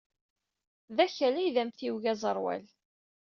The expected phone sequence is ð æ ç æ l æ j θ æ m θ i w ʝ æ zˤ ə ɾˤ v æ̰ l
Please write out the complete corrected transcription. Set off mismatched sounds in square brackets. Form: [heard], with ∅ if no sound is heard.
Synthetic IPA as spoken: ð æ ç æ l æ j [ð] æ m θ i w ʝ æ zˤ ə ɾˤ [w] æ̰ l